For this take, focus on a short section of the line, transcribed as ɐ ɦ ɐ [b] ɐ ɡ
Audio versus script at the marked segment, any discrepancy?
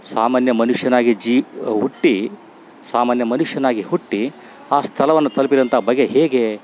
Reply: no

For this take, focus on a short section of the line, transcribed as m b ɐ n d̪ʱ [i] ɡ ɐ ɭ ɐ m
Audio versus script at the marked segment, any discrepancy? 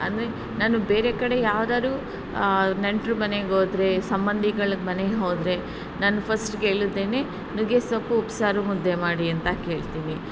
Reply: no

